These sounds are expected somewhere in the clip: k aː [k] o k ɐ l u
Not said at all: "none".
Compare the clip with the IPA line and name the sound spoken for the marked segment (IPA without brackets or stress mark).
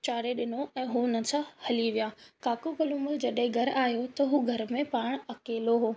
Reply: k